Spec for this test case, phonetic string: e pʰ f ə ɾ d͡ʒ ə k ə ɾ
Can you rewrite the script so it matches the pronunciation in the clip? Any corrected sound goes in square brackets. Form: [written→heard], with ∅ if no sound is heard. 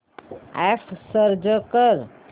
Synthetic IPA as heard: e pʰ [f→s] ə ɾ d͡ʒ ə k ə ɾ